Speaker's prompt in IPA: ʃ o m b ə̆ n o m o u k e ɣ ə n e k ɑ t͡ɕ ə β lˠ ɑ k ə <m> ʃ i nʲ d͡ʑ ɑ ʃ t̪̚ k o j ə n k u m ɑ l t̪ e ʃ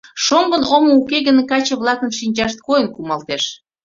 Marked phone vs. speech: incorrect: n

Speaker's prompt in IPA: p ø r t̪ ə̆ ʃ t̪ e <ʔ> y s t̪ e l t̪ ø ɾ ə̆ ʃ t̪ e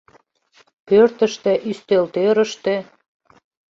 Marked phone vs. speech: correct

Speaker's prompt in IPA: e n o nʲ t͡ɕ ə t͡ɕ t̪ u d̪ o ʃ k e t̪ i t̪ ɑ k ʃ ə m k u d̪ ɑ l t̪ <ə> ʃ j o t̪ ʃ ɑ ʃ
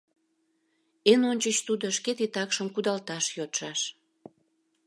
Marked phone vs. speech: incorrect: ɑ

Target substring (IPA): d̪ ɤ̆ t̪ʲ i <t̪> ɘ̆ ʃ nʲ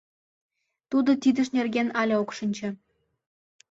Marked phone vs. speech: incorrect: d̪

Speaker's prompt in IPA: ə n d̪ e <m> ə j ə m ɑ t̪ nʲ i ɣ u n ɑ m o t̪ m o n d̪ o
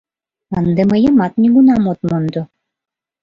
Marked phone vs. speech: correct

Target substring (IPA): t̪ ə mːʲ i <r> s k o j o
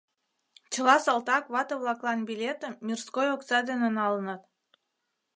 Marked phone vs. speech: correct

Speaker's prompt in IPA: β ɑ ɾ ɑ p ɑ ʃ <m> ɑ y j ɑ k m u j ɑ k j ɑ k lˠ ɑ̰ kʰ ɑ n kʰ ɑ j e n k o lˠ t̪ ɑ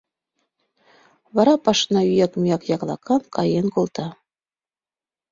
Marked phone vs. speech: incorrect: n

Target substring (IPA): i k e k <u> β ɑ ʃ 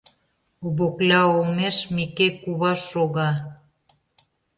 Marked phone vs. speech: correct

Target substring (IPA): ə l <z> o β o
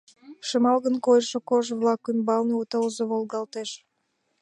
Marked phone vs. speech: correct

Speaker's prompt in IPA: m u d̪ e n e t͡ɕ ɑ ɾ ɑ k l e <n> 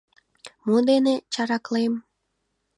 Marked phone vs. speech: incorrect: m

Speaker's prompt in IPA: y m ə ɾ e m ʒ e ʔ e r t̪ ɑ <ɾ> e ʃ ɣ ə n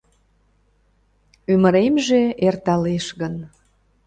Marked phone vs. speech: incorrect: l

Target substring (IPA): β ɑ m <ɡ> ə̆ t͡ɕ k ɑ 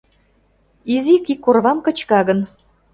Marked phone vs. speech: incorrect: k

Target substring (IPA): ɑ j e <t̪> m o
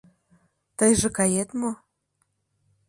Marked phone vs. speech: correct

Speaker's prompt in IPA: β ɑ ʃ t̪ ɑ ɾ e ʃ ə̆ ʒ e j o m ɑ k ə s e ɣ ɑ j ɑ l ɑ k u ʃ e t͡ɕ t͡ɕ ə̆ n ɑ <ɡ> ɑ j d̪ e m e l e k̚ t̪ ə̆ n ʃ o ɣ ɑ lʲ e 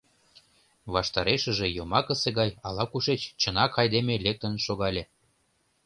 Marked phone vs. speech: incorrect: k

